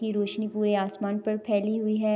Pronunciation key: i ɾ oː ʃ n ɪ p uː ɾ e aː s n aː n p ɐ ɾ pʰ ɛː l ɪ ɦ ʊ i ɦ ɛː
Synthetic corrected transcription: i ɾ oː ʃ n i p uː ɾ e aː s m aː n p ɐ ɾ pʰ ɛː l i ɦ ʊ i ɦ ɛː